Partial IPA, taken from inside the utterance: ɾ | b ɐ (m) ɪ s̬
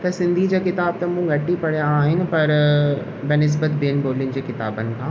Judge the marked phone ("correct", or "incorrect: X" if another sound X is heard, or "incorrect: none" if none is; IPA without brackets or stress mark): incorrect: n